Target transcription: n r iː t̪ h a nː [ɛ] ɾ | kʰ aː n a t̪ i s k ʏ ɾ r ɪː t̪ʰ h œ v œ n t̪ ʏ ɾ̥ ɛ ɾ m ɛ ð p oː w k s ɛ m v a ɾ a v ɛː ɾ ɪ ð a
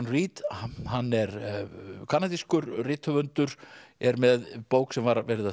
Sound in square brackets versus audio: correct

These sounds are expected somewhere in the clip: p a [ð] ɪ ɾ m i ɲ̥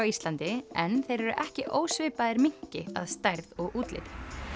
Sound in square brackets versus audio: correct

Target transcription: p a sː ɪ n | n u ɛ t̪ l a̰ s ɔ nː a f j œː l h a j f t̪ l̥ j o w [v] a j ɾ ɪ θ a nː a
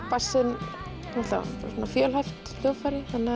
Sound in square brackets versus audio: incorrect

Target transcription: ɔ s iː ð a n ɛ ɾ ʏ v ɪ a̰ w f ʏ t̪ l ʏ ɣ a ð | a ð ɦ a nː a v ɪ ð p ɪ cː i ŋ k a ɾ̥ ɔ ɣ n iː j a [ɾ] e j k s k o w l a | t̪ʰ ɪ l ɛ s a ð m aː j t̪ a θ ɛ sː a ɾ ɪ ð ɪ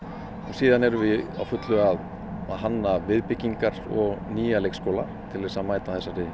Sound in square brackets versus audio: incorrect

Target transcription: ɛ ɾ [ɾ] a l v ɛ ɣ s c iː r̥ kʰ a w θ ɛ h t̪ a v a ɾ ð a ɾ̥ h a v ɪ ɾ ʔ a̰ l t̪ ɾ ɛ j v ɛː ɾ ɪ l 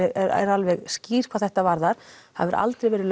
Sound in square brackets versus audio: correct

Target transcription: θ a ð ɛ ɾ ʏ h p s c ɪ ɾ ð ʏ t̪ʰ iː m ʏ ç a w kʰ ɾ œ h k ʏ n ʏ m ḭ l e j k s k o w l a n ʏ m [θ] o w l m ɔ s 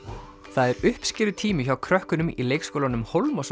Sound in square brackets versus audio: incorrect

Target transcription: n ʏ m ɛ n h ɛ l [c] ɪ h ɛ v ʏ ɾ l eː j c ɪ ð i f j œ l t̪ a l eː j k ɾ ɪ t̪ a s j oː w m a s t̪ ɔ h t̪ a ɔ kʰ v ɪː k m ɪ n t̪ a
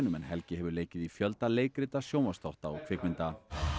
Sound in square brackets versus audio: correct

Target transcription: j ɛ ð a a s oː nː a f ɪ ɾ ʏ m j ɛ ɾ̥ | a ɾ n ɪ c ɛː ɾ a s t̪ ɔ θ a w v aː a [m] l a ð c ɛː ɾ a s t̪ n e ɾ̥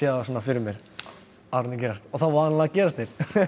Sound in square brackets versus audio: incorrect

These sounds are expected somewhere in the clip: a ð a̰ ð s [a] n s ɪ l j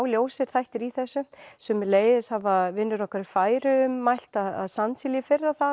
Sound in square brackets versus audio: correct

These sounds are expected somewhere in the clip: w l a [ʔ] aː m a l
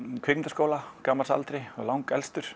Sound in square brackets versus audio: incorrect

